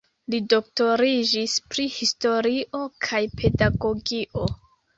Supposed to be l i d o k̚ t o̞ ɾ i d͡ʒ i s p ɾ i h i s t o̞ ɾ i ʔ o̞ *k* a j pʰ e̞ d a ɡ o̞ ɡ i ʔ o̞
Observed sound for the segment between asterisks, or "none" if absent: kʰ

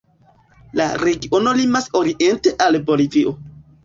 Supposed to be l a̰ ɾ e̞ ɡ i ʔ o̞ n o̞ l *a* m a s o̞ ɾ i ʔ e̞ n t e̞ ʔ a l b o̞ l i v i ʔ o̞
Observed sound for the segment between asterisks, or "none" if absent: i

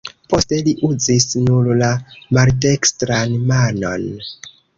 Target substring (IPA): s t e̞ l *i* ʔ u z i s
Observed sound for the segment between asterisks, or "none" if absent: i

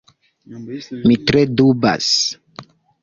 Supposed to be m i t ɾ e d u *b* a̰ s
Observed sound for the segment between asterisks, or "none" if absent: b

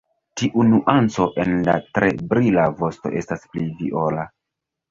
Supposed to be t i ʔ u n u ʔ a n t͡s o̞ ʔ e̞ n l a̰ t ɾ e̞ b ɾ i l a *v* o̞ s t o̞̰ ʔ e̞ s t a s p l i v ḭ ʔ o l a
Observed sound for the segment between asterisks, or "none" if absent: v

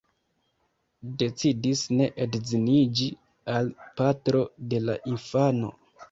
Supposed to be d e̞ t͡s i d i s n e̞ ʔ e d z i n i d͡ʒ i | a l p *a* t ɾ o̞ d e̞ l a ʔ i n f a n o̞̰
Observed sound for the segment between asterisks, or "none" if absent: a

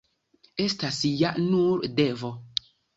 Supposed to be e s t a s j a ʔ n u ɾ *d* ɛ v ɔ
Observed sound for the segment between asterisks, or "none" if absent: d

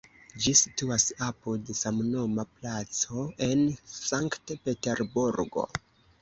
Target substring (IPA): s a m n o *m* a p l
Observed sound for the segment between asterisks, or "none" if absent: m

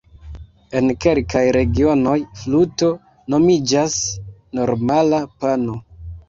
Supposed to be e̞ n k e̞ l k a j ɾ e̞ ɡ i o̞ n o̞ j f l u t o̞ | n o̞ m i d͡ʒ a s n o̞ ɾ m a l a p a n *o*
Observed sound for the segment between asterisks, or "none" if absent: o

